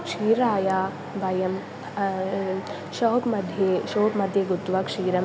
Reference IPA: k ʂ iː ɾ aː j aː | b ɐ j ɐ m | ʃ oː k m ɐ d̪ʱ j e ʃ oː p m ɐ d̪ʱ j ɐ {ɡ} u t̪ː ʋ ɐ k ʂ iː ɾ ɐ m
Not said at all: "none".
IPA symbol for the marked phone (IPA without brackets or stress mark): ɡ